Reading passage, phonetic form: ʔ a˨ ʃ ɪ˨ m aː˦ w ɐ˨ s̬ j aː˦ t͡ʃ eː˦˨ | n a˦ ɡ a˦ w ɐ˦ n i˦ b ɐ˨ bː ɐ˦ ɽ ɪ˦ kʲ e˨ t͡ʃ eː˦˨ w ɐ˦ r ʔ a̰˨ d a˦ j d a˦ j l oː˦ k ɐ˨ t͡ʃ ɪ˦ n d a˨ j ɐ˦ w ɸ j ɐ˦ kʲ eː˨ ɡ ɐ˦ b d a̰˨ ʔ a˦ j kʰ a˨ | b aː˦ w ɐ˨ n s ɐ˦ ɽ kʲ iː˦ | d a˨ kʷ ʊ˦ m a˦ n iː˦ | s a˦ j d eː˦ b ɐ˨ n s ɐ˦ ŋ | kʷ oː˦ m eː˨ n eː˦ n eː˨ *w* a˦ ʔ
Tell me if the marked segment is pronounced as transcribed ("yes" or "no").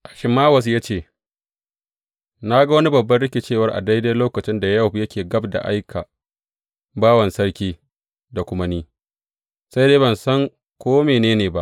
no